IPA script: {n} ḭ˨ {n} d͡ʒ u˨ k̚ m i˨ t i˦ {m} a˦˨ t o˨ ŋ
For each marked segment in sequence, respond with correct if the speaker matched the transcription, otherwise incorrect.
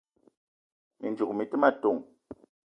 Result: incorrect, correct, correct

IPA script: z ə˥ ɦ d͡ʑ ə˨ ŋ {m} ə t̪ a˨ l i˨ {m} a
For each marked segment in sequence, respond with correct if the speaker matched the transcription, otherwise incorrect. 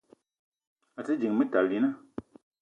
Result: correct, incorrect

